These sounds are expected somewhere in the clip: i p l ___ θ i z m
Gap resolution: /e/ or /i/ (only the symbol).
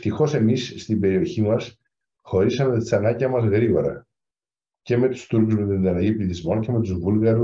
i